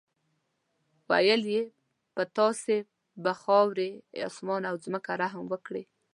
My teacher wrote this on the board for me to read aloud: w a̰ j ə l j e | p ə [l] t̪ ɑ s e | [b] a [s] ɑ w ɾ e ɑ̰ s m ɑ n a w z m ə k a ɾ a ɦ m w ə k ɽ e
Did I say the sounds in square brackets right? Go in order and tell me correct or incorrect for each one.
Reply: incorrect, correct, incorrect

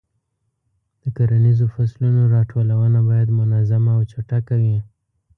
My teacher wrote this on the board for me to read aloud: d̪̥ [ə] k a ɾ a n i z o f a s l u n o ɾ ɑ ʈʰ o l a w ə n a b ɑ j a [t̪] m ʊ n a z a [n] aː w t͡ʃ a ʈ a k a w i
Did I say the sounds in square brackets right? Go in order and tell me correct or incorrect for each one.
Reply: correct, incorrect, incorrect

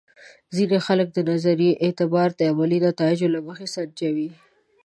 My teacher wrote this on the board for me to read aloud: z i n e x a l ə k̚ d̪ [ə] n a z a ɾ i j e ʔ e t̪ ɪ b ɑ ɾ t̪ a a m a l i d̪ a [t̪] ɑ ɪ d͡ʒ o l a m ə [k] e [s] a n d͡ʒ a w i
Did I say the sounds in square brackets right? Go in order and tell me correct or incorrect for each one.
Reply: correct, correct, incorrect, correct

